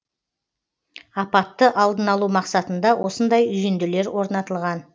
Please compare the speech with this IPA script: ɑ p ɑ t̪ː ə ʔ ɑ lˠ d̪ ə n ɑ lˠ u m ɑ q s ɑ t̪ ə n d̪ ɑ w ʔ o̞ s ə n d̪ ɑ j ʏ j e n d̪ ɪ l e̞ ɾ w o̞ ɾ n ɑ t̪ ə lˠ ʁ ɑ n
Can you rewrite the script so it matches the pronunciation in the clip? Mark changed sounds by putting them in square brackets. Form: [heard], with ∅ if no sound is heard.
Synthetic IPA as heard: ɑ p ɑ t̪ː ə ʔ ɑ lˠ d̪ ə n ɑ lˠ u m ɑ q s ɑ t̪ ə n d̪ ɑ w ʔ o̞ s ə n d̪ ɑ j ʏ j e n d̪ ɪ l e̞ ɾ w o̞ ɾ n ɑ t̪ ə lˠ ʁ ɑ n